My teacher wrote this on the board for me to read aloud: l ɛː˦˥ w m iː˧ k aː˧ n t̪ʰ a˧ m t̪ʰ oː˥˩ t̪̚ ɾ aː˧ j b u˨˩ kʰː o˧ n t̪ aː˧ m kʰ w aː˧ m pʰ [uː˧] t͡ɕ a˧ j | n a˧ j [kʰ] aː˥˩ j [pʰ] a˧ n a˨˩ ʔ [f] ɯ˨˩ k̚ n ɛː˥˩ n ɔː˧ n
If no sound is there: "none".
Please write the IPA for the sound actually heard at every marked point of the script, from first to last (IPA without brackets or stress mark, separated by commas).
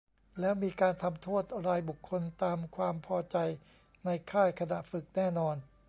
ɔː˧, kʰ, kʰ, f